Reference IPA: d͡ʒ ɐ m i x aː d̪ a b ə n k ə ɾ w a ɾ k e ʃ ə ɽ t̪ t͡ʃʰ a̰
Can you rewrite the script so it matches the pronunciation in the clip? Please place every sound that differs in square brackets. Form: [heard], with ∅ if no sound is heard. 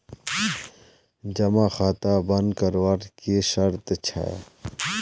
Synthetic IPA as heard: d͡ʒ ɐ m [a] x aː [t̪] a b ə n k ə ɾ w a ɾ k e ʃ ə [ɾ] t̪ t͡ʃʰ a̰